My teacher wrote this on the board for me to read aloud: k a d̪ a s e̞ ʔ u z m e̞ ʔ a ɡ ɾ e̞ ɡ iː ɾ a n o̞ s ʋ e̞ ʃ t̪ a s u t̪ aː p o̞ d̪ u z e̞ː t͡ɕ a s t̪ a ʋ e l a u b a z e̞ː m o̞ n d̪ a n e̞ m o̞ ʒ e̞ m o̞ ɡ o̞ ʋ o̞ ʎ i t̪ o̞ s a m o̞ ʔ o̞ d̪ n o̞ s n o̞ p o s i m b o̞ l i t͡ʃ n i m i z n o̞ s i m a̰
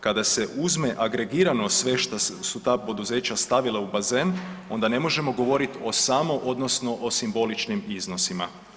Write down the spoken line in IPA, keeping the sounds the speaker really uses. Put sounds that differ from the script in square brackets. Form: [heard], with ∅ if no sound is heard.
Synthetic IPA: k a d̪ a s e̞ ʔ u z m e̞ ʔ a ɡ ɾ e̞ ɡ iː ɾ a n o̞ s ʋ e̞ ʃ t̪ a s u t̪ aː p o̞ d̪ u z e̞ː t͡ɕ a s t̪ a ʋ [i] l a u b a z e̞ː [n] o̞ n d̪ a n e̞ m o̞ ʒ e̞ m o̞ ɡ o̞ ʋ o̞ [ɾ] i t̪ o̞ s a m o̞ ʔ o̞ d̪ n o̞ s n o̞ [ʔ] o s i m b o̞ l i t͡ʃ n i m i z n o̞ s i m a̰